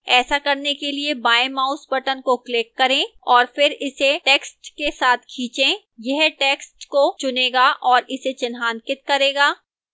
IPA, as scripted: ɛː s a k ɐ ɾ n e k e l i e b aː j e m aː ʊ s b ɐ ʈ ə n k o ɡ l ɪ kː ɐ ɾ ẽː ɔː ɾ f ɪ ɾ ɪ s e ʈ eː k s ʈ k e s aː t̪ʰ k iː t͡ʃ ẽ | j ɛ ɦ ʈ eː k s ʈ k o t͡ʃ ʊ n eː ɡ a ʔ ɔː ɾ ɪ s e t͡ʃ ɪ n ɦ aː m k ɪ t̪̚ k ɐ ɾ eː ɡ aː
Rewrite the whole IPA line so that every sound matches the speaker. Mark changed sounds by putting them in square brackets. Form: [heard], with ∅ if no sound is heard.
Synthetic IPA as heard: ɛː s a k ɐ ɾ n e k e l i e b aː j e m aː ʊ s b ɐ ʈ ə n k o [k] l ɪ kː ɐ ɾ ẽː ɔː ɾ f ɪ ɾ ɪ s e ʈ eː k s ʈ k e s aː t̪ʰ [kʰ] iː t͡ʃ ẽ | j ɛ ɦ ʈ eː k s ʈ k o t͡ʃ ʊ n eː ɡ a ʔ ɔː ɾ ɪ s e t͡ʃ ɪ n ɦ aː [n] k ɪ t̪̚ k ɐ ɾ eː ɡ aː